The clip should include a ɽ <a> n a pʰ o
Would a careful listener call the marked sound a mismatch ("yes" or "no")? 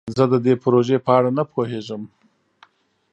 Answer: no